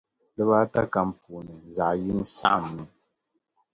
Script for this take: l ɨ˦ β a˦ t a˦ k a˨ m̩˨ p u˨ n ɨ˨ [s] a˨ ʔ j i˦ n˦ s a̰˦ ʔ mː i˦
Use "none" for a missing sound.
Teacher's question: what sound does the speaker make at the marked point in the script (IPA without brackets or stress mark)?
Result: z